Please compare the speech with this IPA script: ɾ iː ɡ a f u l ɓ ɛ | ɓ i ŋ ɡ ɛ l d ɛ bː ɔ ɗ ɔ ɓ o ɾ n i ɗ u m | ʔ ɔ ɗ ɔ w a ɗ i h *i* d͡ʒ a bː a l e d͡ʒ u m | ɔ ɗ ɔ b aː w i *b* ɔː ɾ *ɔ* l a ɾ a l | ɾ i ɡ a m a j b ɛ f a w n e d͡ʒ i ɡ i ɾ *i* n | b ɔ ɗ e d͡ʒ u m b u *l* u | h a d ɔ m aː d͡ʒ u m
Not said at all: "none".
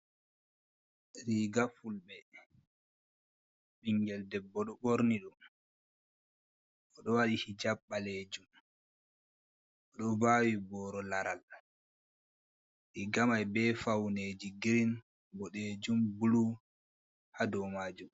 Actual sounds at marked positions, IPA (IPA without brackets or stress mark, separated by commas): i, b, ɔ, i, l